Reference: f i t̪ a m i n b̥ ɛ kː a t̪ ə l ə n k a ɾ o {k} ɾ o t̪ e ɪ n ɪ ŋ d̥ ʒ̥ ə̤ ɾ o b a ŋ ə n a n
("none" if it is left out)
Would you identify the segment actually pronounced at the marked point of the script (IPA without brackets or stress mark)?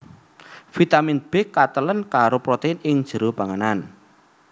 p